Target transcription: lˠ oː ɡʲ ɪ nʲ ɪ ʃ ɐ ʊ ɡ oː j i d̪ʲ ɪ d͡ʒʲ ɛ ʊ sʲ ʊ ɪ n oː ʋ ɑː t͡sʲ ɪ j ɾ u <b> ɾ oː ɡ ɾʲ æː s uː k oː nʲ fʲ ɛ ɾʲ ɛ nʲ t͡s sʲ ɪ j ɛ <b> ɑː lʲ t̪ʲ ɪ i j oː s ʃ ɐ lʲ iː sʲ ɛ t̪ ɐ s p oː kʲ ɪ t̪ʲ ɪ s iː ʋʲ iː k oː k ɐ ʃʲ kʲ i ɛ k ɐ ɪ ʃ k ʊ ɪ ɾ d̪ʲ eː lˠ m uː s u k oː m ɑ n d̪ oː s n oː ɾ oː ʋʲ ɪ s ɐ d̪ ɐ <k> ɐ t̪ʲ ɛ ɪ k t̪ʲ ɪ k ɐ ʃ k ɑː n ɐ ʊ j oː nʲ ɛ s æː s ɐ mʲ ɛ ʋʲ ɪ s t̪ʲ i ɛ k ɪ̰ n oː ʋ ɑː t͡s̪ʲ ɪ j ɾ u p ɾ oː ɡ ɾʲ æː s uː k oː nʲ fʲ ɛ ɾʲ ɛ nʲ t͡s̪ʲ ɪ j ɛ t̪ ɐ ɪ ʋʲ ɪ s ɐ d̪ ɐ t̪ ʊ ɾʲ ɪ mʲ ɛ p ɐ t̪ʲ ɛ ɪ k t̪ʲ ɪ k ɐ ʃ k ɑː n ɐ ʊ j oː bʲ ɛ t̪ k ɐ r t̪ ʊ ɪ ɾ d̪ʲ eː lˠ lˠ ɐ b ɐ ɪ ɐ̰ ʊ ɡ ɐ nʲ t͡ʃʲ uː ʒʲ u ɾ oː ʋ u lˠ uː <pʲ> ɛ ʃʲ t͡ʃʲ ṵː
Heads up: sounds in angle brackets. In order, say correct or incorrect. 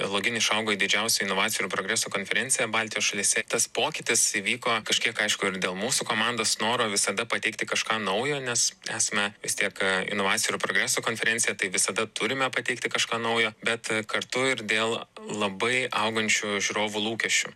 incorrect: p, correct, incorrect: p, incorrect: kʲ

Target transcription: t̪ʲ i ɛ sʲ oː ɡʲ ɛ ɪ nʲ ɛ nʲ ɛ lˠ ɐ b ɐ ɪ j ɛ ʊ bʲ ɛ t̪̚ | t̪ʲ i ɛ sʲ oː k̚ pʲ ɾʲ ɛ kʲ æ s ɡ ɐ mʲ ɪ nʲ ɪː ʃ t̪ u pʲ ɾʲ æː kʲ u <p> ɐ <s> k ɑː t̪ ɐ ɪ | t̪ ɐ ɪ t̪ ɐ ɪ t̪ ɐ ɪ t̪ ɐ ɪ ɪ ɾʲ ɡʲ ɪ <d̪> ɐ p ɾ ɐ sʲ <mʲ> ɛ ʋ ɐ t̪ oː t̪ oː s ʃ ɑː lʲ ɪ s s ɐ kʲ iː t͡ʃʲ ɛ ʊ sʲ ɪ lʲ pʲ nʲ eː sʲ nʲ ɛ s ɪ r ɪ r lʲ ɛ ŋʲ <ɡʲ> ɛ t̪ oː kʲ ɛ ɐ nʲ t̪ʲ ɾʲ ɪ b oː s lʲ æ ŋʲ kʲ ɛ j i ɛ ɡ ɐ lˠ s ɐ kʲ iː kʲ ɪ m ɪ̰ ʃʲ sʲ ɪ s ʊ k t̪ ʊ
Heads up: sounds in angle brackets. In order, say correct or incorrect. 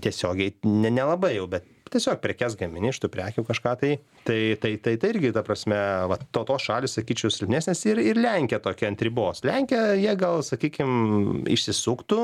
incorrect: k, incorrect: ʃ, incorrect: t̪, correct, incorrect: kʲ

